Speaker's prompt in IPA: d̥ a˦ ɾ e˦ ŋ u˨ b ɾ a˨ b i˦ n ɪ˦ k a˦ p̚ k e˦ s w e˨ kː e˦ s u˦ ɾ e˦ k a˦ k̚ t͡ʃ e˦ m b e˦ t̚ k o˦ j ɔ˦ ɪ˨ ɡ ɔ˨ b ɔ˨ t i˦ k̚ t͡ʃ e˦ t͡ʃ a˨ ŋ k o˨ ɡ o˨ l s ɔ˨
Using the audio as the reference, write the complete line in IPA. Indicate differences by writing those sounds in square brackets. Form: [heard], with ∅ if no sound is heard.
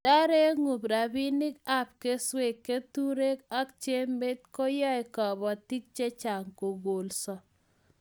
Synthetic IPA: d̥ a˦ ɾ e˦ ŋ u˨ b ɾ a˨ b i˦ n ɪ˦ k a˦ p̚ k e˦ s w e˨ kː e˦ [t] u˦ ɾ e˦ k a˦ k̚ t͡ʃ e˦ m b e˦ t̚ k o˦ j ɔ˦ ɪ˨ [k] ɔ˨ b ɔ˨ t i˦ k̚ t͡ʃ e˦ t͡ʃ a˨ ŋ k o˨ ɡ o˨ l s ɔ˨